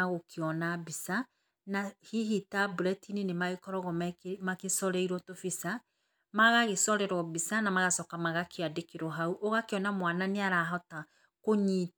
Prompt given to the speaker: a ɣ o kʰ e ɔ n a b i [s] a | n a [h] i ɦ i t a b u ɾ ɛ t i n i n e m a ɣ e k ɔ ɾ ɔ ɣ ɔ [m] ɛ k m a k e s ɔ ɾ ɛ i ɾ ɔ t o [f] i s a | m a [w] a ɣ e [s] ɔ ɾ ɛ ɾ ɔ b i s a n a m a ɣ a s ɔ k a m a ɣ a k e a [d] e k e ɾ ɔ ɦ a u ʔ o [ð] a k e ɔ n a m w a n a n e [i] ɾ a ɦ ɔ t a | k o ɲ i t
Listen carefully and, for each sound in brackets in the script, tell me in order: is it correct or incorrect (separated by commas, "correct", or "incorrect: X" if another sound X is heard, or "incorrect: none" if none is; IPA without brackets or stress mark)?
correct, correct, correct, correct, incorrect: ɣ, correct, correct, incorrect: ɣ, incorrect: a